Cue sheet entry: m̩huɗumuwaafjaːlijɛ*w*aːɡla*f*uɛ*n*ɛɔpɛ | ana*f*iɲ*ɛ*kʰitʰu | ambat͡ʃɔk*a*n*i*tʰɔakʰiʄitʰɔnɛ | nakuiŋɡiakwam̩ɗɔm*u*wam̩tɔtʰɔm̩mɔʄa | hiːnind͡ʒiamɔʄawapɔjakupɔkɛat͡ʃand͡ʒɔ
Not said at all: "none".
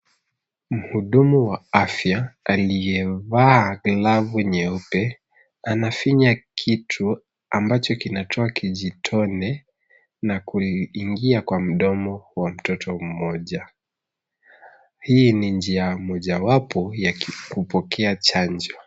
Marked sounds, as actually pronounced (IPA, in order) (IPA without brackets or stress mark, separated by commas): v, v, ɲ, f, a, i, a, ɔ